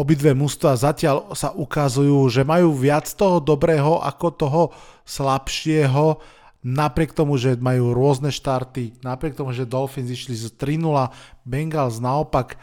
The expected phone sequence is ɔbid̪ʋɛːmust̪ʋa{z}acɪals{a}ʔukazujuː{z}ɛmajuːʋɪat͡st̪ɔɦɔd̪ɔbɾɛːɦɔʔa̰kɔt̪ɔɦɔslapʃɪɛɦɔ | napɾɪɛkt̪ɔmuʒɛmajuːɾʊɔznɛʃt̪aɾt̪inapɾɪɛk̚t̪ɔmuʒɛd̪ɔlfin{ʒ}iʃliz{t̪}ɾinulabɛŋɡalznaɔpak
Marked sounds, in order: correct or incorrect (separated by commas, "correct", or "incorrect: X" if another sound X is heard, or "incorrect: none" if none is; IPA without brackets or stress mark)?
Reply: correct, correct, incorrect: ʒ, incorrect: z, correct